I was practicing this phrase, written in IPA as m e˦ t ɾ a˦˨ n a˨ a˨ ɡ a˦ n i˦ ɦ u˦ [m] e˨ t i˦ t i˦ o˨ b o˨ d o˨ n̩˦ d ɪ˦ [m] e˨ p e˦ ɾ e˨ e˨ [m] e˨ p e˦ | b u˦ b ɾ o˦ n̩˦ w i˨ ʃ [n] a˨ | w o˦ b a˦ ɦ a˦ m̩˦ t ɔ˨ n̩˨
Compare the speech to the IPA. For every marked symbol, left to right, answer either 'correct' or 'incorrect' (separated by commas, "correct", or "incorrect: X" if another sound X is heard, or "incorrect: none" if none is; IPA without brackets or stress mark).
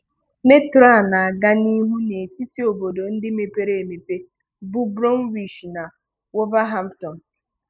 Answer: incorrect: n, correct, correct, correct